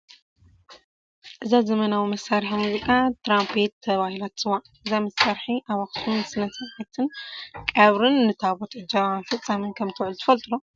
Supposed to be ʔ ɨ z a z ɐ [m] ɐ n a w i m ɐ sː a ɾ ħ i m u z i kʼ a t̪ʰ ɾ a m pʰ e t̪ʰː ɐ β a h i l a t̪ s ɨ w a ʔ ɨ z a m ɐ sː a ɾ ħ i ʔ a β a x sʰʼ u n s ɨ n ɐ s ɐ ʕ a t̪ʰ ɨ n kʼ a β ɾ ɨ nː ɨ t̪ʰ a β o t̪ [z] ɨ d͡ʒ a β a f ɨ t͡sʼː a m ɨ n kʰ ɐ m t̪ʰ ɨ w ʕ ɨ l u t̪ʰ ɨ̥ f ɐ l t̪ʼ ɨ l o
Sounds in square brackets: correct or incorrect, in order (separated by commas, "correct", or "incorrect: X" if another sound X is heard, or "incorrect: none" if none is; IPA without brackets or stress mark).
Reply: correct, incorrect: ʕ